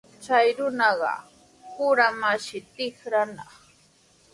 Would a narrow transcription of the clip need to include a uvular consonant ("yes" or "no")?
yes